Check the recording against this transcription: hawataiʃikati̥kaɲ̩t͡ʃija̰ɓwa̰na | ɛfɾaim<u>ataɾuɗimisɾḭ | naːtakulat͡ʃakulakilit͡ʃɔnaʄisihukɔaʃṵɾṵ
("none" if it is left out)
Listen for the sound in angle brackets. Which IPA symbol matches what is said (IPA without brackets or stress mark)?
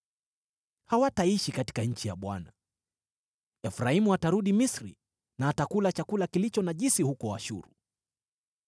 u